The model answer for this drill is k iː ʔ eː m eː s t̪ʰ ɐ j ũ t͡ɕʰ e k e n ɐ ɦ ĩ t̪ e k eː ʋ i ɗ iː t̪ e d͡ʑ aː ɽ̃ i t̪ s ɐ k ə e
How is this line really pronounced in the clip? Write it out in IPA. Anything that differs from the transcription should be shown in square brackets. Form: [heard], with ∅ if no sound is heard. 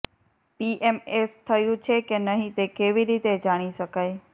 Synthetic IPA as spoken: [p] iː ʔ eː m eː s t̪ʰ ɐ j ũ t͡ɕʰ e k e n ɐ ɦ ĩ t̪ e k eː ʋ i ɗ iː t̪ e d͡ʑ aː ɽ̃ i [∅] s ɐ k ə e